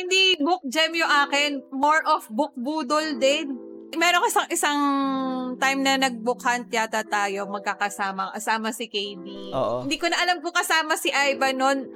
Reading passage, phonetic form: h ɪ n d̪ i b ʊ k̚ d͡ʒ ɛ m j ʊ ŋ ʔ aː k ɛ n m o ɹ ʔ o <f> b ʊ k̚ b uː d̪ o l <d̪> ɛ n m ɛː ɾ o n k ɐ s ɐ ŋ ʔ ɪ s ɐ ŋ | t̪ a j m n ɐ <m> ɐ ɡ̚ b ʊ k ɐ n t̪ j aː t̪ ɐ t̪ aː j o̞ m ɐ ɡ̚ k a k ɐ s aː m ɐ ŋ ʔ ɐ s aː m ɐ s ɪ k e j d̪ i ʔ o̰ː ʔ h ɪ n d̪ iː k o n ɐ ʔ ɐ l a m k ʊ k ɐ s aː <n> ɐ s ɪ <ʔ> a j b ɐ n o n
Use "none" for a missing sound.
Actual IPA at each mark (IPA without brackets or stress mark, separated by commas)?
f, d̪, n, m, ʔ